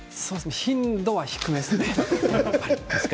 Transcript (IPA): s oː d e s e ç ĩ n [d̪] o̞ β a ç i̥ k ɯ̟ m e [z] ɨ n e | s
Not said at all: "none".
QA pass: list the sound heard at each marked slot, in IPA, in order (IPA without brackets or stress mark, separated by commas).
d̪, s